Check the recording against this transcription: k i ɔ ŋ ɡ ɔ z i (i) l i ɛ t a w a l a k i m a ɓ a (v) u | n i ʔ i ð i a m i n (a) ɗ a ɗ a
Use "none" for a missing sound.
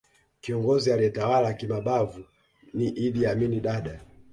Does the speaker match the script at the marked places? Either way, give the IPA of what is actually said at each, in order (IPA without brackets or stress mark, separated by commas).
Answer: a, v, i